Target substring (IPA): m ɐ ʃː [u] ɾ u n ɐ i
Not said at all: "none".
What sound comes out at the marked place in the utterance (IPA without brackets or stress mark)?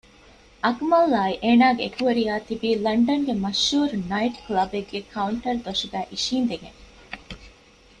uː